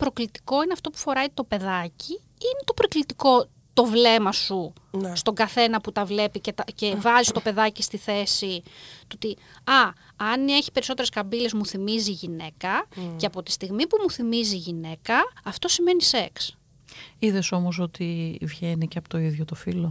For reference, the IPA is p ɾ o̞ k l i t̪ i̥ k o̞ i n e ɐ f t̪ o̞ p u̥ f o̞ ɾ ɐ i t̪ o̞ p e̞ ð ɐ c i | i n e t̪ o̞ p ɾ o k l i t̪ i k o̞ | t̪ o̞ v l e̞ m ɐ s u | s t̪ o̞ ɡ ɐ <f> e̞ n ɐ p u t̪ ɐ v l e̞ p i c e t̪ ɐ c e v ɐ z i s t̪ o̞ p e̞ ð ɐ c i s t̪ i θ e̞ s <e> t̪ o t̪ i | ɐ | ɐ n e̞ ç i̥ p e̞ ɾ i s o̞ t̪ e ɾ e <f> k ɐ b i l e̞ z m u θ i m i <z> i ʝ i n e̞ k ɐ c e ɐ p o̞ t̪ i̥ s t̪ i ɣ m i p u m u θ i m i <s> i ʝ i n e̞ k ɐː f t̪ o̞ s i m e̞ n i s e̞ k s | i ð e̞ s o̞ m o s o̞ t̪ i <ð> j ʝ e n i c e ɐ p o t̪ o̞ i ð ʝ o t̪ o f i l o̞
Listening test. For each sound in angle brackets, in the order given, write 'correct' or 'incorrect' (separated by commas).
incorrect, incorrect, incorrect, correct, incorrect, incorrect